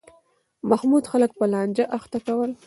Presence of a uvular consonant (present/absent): absent